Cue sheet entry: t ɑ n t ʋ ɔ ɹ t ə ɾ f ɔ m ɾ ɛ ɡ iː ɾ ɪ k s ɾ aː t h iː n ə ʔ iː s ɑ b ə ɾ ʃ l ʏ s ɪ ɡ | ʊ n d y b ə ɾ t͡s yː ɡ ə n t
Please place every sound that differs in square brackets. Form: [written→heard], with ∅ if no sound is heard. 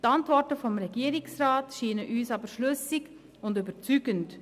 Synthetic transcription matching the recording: t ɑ n t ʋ ɔ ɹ t ə [ɾ→∅] f ɔ m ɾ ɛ ɡ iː ɾ ɪ k s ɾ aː t [h→ʃ] iː n ə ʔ [iː→yː] s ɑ b ə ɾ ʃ l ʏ s ɪ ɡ | ʊ n d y b ə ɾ t͡s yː ɡ ə n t